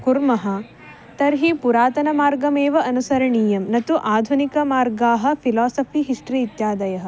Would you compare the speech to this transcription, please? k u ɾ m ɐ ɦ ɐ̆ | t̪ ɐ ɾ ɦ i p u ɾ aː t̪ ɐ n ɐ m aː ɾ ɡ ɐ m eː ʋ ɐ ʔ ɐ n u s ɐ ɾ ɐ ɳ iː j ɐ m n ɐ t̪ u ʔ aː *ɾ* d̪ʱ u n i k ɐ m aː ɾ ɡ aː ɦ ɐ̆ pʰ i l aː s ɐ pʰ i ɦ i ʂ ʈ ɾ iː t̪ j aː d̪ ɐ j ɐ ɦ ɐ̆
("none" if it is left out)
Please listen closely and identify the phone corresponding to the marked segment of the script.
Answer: none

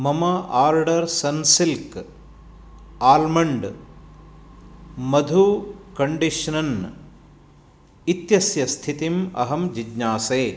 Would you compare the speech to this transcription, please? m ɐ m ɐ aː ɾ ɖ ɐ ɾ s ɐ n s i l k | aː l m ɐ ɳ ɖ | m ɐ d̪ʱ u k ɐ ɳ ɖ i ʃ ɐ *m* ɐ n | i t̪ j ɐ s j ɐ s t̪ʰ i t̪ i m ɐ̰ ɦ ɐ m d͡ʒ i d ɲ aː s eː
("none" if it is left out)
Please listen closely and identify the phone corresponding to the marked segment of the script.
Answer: n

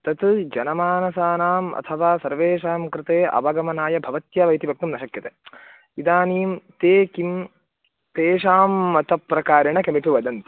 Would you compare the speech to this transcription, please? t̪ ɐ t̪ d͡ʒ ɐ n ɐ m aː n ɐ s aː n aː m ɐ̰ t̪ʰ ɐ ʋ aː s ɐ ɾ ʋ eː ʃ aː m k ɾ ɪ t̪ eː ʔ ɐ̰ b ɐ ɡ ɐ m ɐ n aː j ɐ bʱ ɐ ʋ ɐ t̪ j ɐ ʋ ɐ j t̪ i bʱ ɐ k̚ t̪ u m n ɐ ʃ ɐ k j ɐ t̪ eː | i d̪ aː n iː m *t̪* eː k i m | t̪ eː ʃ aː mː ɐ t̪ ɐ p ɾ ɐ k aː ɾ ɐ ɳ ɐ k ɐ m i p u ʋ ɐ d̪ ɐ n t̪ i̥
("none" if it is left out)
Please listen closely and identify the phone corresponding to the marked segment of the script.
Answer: t̪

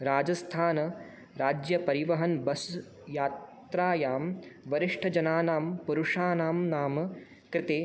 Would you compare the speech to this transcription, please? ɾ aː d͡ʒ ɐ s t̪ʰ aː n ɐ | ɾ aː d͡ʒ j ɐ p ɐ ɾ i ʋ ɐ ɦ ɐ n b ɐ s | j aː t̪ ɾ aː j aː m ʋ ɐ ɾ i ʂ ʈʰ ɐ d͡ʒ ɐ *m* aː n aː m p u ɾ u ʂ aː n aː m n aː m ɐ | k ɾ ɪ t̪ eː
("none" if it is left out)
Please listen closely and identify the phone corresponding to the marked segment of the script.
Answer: n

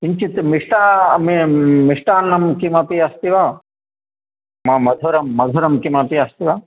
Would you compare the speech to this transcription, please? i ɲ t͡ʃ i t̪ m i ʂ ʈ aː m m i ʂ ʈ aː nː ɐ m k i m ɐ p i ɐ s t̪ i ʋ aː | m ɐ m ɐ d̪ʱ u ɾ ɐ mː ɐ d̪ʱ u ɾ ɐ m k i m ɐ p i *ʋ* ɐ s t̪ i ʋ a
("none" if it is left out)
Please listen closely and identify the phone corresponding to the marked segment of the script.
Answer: none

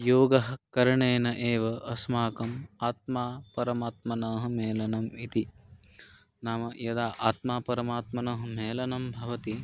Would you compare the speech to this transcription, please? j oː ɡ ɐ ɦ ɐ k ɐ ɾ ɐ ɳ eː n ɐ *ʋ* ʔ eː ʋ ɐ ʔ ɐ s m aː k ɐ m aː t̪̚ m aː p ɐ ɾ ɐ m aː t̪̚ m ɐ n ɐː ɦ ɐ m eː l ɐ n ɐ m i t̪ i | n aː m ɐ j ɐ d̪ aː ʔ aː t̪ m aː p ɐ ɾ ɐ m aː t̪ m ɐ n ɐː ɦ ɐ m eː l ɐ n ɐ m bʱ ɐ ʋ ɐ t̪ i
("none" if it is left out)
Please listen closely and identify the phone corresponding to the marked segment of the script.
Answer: none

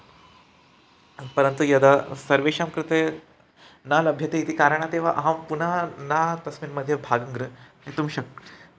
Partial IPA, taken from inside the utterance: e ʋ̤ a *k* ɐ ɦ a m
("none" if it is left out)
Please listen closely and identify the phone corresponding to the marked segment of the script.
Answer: ʔ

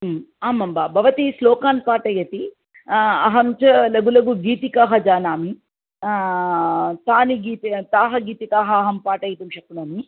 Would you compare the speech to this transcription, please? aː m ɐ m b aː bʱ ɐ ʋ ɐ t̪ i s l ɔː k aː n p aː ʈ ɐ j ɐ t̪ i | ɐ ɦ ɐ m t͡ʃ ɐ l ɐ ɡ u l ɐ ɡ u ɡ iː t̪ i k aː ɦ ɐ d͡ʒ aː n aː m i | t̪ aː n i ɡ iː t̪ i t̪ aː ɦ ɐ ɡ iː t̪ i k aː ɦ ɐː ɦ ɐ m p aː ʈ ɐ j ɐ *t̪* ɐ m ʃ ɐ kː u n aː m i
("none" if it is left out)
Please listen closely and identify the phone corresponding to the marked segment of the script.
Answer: t̪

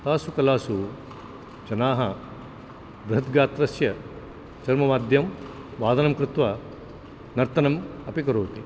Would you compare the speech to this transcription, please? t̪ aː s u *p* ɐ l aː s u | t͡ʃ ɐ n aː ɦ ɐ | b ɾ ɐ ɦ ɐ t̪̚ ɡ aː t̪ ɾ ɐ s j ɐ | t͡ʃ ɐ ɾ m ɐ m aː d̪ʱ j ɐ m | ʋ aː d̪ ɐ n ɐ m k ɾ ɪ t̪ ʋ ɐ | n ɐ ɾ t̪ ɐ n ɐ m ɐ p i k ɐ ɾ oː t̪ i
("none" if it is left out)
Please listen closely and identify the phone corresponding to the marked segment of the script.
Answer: k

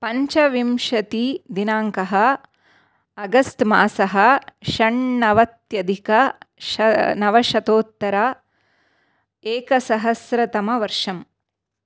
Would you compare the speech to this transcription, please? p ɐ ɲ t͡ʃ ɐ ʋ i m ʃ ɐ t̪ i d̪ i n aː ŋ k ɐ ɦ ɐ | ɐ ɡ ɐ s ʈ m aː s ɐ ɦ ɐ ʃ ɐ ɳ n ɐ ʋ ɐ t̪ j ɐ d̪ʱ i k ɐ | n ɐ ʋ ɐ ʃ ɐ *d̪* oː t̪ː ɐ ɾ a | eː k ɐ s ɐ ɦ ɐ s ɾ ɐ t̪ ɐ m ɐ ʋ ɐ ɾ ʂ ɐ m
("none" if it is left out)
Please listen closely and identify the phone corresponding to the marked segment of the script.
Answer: t̪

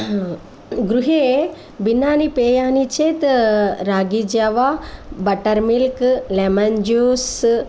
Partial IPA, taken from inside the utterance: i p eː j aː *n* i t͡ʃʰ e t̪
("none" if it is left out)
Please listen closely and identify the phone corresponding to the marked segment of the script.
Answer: n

